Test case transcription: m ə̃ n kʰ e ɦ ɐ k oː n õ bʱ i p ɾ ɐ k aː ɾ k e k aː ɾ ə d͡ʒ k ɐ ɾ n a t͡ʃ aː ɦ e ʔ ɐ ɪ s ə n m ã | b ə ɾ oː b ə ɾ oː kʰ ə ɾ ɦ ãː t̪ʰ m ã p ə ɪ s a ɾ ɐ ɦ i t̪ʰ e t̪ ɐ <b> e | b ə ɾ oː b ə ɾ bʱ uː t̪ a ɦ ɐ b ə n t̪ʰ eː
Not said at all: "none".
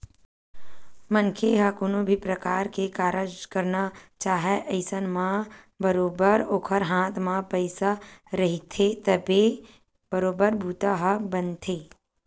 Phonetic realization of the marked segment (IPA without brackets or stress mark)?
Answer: b